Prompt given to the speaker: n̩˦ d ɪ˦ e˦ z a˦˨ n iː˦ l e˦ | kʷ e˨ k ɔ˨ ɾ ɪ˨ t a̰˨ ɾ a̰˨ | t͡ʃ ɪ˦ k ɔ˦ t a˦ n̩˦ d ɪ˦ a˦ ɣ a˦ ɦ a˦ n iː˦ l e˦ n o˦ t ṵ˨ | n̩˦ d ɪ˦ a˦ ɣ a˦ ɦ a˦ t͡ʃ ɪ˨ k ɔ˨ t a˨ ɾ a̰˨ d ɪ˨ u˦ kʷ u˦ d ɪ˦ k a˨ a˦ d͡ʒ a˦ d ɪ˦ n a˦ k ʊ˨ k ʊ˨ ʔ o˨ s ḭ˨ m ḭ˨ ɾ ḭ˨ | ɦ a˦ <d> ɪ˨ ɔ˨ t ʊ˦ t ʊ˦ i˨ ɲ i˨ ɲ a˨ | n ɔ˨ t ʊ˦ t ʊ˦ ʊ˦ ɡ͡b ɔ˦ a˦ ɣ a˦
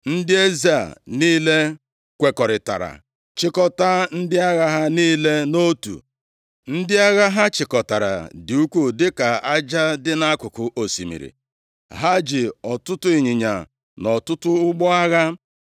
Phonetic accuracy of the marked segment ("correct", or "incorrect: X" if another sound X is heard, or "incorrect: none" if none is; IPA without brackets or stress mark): incorrect: d͡ʒ